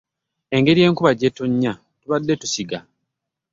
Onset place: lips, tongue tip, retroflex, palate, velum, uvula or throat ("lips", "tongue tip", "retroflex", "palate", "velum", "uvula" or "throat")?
velum